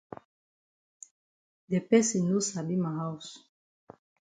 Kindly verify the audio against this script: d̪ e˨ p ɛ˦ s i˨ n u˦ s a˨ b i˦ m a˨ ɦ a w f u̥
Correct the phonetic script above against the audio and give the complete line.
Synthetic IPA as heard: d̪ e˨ p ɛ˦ s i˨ n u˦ s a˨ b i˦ m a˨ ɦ a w s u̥